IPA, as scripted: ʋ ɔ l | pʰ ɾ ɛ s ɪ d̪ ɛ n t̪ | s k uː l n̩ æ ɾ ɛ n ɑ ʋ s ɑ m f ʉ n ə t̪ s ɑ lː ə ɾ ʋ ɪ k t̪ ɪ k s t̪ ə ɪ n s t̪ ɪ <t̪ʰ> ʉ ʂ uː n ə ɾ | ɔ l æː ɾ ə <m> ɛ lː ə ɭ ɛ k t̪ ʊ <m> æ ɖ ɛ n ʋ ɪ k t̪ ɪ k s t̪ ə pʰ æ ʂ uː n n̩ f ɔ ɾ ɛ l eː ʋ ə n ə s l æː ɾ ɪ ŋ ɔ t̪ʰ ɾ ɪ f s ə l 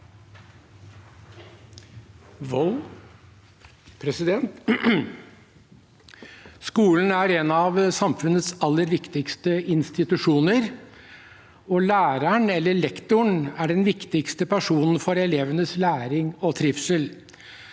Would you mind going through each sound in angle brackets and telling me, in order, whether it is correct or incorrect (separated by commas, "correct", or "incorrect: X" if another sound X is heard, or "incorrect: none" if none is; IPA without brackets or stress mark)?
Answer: incorrect: t̪, incorrect: ɳ, incorrect: ɳ